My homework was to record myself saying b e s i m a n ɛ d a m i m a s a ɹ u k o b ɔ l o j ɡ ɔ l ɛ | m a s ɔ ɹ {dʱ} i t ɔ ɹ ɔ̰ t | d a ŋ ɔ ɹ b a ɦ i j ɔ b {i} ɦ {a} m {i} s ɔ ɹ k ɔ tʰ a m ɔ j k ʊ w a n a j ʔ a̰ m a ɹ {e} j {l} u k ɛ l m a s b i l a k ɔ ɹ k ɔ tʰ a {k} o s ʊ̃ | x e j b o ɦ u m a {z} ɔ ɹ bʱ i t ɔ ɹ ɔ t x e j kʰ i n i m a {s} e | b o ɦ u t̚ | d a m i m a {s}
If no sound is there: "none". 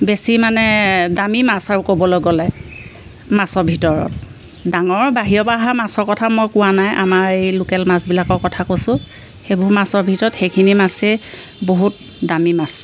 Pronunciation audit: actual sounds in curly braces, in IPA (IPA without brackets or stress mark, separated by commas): bʱ, a, a, a, e, l, k, s, s, s